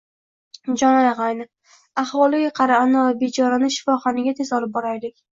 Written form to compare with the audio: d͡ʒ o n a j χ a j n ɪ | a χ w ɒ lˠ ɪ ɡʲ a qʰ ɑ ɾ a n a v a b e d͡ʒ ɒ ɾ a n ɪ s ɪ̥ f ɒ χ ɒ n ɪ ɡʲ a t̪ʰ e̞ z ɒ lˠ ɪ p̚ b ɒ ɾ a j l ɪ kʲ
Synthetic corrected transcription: d͡ʒ ɒ n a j ʁ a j n ɪ | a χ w ɒ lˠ ɪ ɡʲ a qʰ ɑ ɾ a n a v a b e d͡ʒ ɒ ɾ a n ɪ ʃ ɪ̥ f ɒ χ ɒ n ɪ ɡʲ a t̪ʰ e̞ z ɒ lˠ ɪ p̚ b ɒ ɾ a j l ɪ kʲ

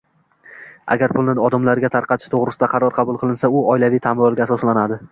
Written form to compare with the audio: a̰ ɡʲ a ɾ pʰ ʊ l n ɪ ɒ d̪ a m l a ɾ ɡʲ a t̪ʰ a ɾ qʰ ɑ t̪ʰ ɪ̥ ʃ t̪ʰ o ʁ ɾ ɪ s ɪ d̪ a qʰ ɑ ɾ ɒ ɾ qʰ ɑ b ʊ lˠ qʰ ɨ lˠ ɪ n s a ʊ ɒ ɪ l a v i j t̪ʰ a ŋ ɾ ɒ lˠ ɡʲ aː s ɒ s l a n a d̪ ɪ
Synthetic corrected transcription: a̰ ɡʲ a ɾ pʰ ʊ l n ɪ ɒ d̪ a m l a ɾ ɡʲ a t̪ʰ a ɾ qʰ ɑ t̪ʰ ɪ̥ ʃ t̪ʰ o ʁ ɾ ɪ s ɪ d̪ a qʰ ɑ ɾ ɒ ɾ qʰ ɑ b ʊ lˠ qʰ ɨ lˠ ɪ n s a ʊ ɒ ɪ l a v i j t̪ʰ a m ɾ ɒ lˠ ɡʲ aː s ɒ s l a n a d̪ ɪ

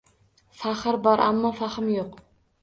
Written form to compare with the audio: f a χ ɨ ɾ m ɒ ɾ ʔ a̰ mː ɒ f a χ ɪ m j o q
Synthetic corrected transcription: f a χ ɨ ɾ b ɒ ɾ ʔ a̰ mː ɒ f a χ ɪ m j o q

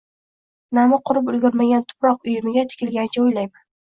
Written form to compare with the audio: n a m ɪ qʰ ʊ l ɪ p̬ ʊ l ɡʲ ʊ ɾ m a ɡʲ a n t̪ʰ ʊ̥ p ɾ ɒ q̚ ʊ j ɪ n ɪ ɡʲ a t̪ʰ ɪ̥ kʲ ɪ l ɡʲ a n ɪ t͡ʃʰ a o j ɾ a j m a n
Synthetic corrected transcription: n a m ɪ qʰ ʊ ɾ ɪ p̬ ʊ l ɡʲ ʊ ɾ m a ɡʲ a n t̪ʰ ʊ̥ p ɾ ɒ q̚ ʊ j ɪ m ɪ ɡʲ a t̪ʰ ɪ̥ kʲ ɪ l ɡʲ a n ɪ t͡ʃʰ a o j l a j m a n

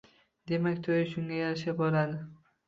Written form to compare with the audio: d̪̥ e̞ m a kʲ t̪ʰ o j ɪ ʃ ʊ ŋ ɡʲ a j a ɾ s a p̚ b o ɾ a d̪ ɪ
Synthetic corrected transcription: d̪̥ e̞ m a kʲ t̪ʰ o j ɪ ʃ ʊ ŋ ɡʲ a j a ɾ ʃ a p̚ b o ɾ a d̪ ɪ

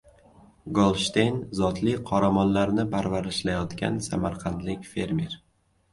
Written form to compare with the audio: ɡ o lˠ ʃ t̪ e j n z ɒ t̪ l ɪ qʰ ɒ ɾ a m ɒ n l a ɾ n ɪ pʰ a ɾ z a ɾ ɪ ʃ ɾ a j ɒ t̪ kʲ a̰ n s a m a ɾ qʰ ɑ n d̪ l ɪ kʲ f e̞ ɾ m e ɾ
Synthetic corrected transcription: ɡ o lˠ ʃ t̪ e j n z ɒ t̪ l ɪ qʰ ɒ ɾ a m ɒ n l a ɾ n ɪ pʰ a ɾ v a ɾ ɪ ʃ l a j ɒ t̪ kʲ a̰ n s a m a ɾ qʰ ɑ n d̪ l ɪ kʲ f e̞ ɾ m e ɾ

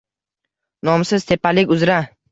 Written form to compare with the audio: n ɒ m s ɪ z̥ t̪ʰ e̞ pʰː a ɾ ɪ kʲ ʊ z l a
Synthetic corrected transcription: n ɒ m s ɪ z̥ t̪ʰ e̞ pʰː a l ɪ kʲ ʊ z ɾ a

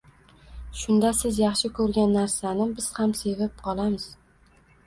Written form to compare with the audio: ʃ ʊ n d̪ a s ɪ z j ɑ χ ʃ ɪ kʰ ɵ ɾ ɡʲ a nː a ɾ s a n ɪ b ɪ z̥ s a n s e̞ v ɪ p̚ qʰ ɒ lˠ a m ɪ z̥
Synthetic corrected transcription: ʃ ʊ n d̪ a s ɪ z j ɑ χ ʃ ɪ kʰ ɵ ɾ ɡʲ a nː a ɾ s a n ɪ b ɪ z̥ h a m s e̞ v ɪ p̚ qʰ ɒ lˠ a m ɪ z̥

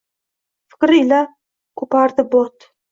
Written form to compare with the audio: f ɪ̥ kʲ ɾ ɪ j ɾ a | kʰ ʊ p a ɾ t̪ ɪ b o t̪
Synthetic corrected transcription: f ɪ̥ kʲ ɾ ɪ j l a | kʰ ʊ p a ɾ d̪ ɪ b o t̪

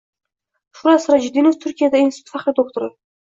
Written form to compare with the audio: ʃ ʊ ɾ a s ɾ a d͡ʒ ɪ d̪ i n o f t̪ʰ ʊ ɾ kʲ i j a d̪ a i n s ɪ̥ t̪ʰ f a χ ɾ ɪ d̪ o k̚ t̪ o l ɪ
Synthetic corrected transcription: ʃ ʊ ɾ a s ɾ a d͡ʒ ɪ d̪ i n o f t̪ʰ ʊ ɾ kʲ i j a d̪ a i n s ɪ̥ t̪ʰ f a χ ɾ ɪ d̪ o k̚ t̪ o ɾ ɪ

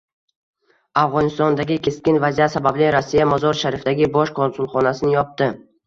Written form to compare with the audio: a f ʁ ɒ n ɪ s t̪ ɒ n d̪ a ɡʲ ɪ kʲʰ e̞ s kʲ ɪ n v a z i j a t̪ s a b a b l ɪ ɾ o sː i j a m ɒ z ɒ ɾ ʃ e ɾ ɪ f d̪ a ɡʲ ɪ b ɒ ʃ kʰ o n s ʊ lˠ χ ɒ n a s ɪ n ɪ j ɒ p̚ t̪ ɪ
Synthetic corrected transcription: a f ʁ ɒ n ɪ s t̪ ɒ n d̪ a ɡʲ ɪ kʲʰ e̞ s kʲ ɪ n v a z i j a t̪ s a b a b l ɪ ɾ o sː i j a m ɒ z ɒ ɾ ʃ a ɾ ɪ f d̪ a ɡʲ ɪ b ɒ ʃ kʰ o n s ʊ lˠ χ ɒ n a s ɪ n ɪ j ɒ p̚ t̪ ɪ

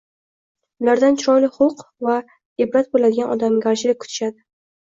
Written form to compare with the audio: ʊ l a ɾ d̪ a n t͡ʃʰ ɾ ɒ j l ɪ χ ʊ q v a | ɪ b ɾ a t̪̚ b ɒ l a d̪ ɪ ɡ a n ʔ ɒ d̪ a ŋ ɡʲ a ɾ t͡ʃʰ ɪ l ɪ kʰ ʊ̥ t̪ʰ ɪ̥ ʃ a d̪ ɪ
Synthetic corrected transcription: ʊ l a ɾ d̪ a n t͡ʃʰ ɾ ɒ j l ɪ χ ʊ q v a | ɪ b ɾ a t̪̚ b o l a d̪ ɪ ɡ a n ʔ ɒ d̪ a m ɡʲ a ɾ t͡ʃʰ ɪ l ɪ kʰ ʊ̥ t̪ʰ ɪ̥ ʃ a d̪ ɪ

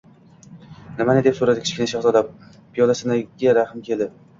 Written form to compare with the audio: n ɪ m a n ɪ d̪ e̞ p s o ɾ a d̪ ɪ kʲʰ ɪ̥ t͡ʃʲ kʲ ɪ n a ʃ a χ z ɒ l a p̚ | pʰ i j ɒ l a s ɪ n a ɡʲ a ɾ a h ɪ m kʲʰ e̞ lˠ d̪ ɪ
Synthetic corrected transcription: n ɪ m a n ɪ d̪ e̞ p s o ɾ a d̪ ɪ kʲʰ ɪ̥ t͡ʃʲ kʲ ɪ n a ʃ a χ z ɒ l a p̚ | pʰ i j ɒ l a s ɪ n a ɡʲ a ɾ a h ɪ m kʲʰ e̞ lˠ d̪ ɪ

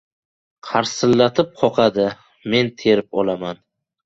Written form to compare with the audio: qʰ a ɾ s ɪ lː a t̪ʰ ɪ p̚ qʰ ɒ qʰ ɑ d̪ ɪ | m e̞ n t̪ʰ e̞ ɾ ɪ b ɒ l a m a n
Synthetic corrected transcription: qʰ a ɾ s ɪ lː a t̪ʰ ɪ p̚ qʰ ɒ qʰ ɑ d̪ ɪ | m e̞ n t̪ʰ e̞ ɾ ɪ p ɒ l a m a n

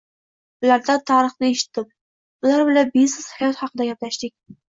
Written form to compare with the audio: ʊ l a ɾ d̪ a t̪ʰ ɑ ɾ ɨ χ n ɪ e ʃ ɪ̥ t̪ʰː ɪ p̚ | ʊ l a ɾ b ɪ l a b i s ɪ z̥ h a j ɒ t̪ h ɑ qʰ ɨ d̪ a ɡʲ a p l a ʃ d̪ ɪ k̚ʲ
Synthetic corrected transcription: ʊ l a ɾ d̪ a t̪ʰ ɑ ɾ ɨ χ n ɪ e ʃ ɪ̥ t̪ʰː ɪ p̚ | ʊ l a ɾ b ɪ l a b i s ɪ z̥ h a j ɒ t̪ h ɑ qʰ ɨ d̪ a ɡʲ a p l a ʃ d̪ ɪ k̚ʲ

